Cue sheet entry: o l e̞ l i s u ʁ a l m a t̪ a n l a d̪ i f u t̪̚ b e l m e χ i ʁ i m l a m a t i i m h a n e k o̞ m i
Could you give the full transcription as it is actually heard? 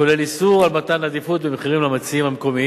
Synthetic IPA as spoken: o l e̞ l i s u ʁ a l m a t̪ a n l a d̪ i f u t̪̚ b e m e χ i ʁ i m l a m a t͡s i i m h a m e k o̞ m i